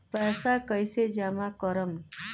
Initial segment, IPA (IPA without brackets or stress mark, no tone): p